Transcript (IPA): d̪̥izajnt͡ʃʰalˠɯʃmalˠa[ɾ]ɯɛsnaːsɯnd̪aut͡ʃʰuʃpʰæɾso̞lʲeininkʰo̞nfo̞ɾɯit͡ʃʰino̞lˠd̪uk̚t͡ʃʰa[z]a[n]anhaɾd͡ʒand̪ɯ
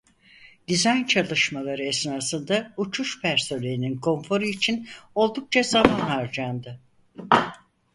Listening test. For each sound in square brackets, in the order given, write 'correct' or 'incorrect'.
correct, correct, incorrect: m

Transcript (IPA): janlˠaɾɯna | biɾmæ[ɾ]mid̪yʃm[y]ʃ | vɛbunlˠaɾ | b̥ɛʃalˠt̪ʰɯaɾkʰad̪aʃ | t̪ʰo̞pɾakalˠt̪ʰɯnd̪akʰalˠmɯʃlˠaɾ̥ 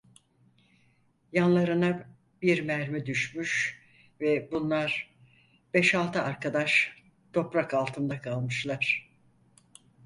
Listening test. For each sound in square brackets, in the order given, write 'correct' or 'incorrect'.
correct, correct

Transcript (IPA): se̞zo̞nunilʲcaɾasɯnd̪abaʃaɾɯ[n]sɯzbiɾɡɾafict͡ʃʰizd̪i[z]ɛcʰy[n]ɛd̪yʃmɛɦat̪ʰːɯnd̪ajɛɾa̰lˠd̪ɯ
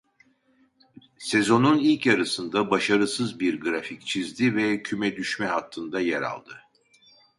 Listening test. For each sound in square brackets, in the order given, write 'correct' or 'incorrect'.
incorrect: none, incorrect: v, incorrect: m

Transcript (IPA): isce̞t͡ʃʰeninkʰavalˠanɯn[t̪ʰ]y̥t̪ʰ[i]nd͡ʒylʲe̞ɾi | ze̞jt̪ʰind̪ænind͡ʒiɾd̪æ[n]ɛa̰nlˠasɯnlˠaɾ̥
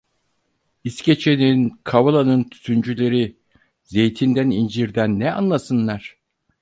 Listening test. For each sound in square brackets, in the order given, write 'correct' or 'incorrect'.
correct, incorrect: y, incorrect: nː

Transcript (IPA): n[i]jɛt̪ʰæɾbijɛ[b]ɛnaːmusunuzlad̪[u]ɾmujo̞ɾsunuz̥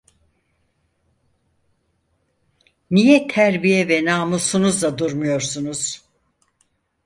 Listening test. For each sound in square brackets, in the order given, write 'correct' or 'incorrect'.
correct, incorrect: v, correct

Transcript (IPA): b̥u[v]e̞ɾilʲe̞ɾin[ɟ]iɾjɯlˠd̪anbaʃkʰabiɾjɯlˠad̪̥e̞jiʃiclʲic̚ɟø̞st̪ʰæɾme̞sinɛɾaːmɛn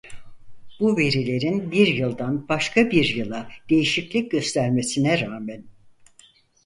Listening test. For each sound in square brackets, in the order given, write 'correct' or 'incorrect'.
correct, incorrect: b

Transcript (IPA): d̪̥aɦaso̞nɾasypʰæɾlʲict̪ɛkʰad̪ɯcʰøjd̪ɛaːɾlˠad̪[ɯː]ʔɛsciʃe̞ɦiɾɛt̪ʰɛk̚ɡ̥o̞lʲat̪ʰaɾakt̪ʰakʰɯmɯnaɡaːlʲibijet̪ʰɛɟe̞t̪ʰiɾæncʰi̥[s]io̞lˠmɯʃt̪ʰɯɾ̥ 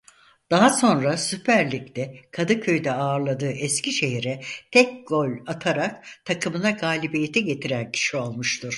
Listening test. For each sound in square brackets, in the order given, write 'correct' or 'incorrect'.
correct, incorrect: ʃ

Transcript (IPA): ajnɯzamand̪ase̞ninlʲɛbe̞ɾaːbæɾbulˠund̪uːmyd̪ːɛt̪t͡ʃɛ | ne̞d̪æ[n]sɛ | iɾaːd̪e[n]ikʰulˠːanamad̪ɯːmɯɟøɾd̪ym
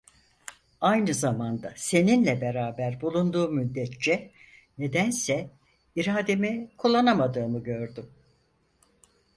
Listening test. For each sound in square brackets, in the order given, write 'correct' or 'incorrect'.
correct, incorrect: m

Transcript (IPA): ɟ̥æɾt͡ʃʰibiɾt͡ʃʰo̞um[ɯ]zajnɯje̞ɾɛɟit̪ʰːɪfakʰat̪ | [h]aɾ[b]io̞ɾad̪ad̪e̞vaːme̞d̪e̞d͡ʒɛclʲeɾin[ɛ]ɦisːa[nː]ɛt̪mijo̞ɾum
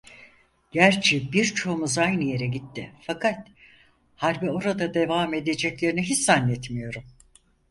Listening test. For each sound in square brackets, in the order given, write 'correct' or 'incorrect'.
incorrect: u, correct, correct, incorrect: i, correct

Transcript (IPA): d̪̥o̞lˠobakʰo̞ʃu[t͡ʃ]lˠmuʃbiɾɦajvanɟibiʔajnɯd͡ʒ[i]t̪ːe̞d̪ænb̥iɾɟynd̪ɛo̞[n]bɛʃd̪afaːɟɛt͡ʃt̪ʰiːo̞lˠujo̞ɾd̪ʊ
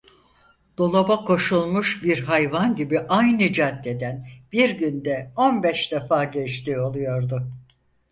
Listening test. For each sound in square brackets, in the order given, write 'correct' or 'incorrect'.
incorrect: none, incorrect: a, correct

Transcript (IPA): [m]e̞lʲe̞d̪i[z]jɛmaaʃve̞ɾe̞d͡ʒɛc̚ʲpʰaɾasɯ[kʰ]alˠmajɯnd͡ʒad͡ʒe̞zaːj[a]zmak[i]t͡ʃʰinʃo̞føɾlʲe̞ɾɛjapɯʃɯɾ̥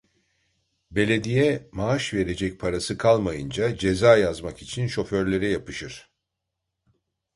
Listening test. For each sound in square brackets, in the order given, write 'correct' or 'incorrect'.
incorrect: b, incorrect: none, correct, correct, correct

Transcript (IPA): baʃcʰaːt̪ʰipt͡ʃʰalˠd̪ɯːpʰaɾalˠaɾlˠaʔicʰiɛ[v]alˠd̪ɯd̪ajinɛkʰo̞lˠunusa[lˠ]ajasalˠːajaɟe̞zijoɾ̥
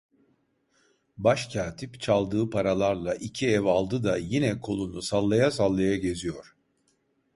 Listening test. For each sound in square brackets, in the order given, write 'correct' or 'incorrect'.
correct, incorrect: lˠː

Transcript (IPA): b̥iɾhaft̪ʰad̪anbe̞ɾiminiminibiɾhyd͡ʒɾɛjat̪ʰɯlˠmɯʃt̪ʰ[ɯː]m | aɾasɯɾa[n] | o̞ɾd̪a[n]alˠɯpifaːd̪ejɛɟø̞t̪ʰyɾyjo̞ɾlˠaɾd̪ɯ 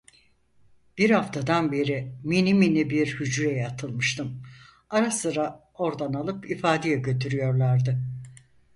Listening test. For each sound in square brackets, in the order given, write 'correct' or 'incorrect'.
incorrect: ɯ, incorrect: none, correct

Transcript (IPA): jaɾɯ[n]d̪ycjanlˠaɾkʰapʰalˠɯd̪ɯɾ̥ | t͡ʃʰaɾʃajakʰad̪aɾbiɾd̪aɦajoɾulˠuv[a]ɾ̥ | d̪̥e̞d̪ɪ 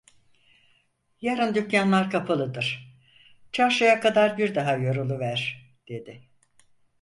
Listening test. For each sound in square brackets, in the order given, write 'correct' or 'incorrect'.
correct, incorrect: æ

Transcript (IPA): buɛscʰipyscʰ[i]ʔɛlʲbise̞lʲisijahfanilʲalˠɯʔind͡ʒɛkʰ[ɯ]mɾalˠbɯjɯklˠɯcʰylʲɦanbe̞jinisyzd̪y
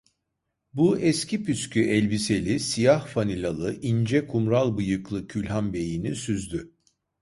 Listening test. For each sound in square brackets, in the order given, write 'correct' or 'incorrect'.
incorrect: y, incorrect: u

